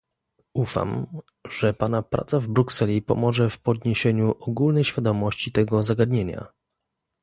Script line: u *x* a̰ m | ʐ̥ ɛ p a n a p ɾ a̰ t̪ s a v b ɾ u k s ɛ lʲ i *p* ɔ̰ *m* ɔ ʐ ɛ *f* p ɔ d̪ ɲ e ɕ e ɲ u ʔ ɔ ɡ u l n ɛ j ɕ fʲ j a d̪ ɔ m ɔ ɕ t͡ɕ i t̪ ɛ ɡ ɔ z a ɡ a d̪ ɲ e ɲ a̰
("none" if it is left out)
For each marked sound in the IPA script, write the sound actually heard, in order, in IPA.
f, p, m, f

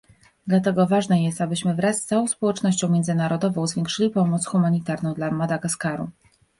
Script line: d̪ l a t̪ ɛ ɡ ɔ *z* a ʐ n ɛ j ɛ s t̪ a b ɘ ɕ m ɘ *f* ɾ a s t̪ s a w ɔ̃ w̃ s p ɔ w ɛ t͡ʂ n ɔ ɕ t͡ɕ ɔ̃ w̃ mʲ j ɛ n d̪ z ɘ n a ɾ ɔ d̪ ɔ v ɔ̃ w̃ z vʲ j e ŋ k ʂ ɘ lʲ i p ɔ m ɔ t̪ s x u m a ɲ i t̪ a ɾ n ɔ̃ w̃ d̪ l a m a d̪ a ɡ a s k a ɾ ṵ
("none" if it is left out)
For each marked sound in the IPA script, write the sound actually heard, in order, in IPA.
v, v

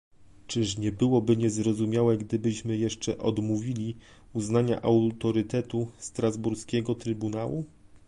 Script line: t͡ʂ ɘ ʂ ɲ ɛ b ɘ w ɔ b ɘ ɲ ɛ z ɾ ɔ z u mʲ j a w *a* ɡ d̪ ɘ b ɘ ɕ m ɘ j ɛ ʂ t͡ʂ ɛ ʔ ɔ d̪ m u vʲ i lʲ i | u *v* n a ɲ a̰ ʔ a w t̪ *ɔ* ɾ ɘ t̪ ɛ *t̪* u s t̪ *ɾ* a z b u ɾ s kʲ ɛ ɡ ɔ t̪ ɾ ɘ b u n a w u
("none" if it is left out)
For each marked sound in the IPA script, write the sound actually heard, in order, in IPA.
ɛ, z, ɔ, t̪, ɾ

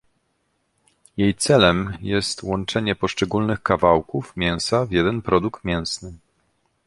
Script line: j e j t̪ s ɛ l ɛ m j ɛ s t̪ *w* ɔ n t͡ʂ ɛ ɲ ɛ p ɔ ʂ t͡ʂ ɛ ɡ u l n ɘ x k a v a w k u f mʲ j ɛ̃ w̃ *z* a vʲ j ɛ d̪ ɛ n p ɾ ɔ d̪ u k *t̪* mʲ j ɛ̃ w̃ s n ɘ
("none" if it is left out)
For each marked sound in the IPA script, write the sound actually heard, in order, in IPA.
w, s, t̪

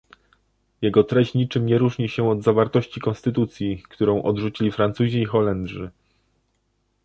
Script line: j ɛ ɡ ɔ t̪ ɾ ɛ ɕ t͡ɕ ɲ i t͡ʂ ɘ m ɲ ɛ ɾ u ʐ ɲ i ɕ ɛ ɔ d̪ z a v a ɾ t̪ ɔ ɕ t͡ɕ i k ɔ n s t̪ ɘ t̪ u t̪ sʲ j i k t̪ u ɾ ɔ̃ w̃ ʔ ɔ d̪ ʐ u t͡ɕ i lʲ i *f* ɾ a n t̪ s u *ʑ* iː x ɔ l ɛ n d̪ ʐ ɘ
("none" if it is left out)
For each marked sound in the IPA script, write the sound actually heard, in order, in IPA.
f, ʑ

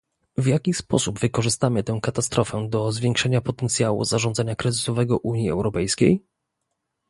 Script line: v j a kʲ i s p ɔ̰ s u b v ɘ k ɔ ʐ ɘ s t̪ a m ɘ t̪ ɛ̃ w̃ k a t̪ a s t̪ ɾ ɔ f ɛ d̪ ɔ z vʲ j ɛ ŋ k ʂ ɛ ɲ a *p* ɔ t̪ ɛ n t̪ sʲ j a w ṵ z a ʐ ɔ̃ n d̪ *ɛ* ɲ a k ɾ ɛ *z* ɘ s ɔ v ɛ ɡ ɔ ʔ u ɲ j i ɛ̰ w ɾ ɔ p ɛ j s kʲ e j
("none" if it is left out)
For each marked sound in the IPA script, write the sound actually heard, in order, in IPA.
p, a, z

